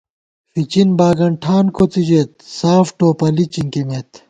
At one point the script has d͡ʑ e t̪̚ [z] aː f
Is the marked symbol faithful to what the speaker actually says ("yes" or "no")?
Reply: no